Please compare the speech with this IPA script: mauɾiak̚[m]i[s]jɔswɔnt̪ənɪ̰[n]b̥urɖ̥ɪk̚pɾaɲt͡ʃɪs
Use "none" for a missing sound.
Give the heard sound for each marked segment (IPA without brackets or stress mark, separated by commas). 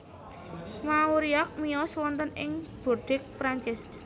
m, none, ŋ